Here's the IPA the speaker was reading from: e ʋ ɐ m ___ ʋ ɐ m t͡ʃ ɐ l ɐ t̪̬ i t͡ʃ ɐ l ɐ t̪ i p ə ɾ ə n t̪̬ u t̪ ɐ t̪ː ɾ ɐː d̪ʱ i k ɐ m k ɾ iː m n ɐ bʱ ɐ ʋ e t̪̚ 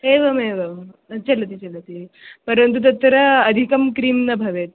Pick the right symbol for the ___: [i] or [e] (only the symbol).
e